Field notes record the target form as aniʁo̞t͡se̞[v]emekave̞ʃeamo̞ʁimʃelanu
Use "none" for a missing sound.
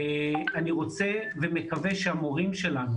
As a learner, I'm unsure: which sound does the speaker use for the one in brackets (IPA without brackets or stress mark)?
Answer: v